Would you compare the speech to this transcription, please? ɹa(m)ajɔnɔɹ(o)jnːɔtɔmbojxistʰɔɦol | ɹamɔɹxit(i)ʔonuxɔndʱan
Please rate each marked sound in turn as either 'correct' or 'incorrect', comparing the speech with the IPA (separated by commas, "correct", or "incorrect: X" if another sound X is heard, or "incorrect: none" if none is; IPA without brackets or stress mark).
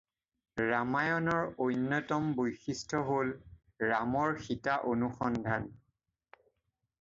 correct, correct, incorrect: a